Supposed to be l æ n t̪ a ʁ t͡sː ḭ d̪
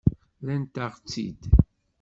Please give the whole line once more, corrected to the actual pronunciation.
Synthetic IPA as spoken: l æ n t̪ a ʁ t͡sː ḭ d̪